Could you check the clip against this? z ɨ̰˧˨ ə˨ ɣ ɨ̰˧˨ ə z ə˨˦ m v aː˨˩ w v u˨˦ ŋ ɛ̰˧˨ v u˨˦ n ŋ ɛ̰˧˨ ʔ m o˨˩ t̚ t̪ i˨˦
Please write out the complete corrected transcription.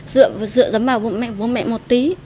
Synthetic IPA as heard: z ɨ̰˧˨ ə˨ z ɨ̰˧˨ ə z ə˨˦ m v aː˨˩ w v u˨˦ m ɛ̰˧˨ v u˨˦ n m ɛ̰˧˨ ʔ m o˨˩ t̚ t̪ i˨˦